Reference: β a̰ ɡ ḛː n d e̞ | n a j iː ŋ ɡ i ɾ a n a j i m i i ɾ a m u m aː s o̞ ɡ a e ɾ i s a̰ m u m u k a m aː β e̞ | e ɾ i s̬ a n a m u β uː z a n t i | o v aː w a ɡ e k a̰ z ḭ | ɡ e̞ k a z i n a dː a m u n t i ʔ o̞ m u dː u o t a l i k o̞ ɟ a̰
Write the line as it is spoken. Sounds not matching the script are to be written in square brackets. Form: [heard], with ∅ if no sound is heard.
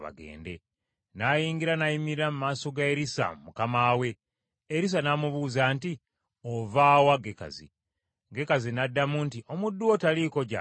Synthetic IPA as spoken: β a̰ ɡ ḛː n d e̞ | n a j iː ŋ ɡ i ɾ a n a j i m i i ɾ a m u m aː s o̞ ɡ a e ɾ i s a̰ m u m u k a m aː [w] e̞ | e ɾ i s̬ a n a m u β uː z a n t i | o v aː w a ɡ e k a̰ z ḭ | ɡ e̞ k a z i n a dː a m u n t i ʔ o̞ m u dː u o t a l i k o̞ ɟ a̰